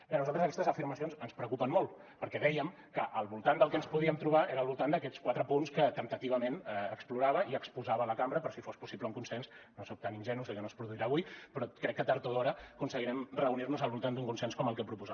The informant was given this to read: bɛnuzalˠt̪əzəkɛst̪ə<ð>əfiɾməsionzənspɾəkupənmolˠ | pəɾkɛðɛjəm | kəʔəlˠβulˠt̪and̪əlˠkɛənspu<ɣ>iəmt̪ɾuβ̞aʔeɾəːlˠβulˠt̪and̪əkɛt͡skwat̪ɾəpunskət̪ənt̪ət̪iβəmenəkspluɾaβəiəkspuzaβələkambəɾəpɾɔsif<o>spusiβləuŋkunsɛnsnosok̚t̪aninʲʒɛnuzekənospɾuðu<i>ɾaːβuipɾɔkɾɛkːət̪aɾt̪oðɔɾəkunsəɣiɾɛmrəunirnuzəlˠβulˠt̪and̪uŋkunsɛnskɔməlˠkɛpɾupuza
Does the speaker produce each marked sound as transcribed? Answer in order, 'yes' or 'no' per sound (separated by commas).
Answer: no, no, yes, yes